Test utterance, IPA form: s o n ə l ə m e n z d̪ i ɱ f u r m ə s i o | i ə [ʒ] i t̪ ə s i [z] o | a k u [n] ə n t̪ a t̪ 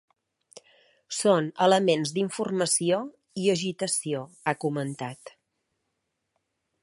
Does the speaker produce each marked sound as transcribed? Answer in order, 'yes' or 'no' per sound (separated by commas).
yes, no, no